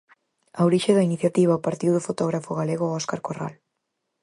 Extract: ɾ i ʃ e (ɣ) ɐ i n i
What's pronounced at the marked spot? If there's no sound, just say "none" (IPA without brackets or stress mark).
ð